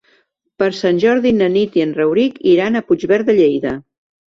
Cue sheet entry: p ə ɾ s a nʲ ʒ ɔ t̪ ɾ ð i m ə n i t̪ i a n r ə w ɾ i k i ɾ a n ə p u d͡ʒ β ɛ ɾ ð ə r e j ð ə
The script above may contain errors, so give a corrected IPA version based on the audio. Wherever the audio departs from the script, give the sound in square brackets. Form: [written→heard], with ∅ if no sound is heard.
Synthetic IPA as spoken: p ə ɾ s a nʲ ʒ ɔ [t̪→∅] ɾ ð i [m→n] ə n i t̪ i [a→ə] n r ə w ɾ i k i ɾ a n ə p u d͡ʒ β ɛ ɾ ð ə [r→ʎ] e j ð ə